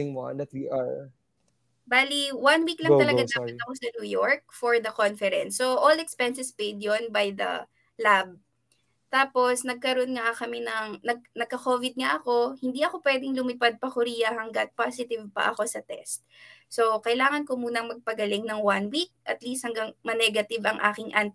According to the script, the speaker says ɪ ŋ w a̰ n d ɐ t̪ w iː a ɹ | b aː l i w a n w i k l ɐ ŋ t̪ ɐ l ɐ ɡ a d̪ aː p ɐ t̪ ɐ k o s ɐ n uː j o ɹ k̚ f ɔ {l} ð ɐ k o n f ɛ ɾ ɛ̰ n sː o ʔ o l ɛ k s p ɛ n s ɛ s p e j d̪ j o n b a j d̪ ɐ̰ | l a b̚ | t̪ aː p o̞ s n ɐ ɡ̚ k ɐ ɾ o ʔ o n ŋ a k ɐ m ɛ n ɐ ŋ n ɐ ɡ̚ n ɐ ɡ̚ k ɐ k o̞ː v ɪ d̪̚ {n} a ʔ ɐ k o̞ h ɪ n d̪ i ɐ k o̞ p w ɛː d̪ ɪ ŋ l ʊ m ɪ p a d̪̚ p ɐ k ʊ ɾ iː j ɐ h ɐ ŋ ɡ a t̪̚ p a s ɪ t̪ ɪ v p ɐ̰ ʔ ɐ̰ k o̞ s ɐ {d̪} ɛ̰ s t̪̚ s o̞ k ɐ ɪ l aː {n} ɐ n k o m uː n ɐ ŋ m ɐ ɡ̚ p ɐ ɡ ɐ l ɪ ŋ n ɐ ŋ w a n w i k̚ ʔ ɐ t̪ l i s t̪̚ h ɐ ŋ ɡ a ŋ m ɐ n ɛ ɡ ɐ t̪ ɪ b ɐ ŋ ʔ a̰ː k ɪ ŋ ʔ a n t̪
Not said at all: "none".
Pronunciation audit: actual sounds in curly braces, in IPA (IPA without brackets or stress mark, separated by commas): ɹ, ŋ, t̪, ŋ